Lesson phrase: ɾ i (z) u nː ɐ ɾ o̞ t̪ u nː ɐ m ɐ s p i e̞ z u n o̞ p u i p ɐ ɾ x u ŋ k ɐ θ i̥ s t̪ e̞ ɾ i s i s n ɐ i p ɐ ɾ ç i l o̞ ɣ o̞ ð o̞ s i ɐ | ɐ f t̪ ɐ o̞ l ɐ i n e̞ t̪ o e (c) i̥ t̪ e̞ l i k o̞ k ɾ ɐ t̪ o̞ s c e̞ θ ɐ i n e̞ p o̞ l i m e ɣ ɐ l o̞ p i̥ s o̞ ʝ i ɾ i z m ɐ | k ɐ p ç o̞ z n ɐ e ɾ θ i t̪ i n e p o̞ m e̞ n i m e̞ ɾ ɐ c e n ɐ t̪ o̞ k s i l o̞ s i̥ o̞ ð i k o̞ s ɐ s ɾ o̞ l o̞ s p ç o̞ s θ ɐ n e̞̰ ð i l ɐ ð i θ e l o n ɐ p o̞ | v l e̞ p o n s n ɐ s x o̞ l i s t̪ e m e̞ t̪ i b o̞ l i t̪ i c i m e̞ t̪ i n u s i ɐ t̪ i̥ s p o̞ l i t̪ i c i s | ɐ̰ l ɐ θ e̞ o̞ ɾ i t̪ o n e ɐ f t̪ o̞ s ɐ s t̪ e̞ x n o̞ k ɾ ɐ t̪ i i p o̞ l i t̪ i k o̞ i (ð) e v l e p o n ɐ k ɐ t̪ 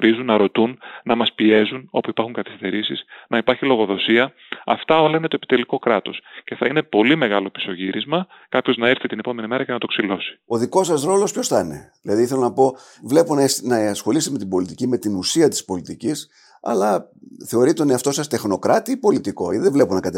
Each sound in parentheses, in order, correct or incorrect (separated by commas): correct, incorrect, correct